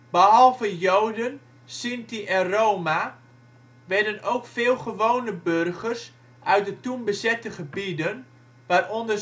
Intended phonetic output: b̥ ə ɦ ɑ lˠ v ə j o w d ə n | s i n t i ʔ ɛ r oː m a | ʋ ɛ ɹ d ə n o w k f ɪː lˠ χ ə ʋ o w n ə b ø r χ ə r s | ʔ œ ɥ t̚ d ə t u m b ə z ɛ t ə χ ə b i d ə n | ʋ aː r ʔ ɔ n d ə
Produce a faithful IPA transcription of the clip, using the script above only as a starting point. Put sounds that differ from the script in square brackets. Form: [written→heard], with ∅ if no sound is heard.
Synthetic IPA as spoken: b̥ ə ɦ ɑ lˠ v ə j o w d ə n | s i n t i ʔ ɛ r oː m a | ʋ ɛ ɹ d ə n o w k f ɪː lˠ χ ə ʋ o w n ə b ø r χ ə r s | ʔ œ ɥ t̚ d ə t u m b ə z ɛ t ə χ ə b i d ə n | ʋ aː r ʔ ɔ n d ə

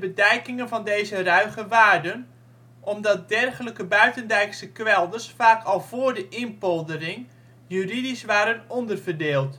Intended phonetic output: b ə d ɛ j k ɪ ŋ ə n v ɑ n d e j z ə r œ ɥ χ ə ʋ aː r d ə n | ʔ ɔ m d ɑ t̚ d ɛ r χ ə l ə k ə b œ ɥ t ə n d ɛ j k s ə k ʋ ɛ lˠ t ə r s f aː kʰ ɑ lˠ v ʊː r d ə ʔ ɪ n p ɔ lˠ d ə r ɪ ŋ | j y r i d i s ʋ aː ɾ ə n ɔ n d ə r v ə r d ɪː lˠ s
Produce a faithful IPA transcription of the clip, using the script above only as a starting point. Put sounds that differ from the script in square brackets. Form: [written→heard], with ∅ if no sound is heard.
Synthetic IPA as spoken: b ə d ɛ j k ɪ ŋ ə n v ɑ n d e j z ə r œ ɥ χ ə ʋ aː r d ə n | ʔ ɔ m d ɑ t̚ d ɛ r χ ə l ə k ə b œ ɥ t ə n d ɛ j k s ə k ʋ ɛ lˠ [t→d] ə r s f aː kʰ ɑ lˠ v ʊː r d ə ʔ ɪ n p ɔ lˠ d ə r ɪ ŋ | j y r i d i s ʋ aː ɾ ə n ɔ n d ə r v ə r d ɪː lˠ [s→t]

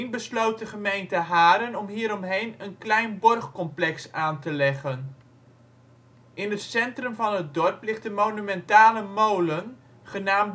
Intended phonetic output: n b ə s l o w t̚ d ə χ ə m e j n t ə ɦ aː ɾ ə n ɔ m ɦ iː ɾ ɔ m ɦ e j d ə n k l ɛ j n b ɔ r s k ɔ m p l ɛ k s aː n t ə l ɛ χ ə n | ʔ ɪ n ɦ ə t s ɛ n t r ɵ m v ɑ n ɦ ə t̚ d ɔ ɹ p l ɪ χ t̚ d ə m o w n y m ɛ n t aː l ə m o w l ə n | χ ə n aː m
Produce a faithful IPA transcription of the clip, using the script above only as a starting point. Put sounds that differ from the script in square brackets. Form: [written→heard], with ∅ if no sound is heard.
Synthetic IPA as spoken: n b ə s l o w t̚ d ə χ ə m e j n t ə ɦ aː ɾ ə n ɔ m ɦ iː ɾ ɔ m ɦ e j [d→n] ə n k l ɛ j n b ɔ r [s→χ] k ɔ m p l ɛ k s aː n t ə l ɛ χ ə n | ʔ ɪ n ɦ ə t s ɛ n t r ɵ m v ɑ n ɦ ə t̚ d ɔ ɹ p l ɪ χ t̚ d ə m o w n y m ɛ n t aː l ə m o w l ə n | χ ə n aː m

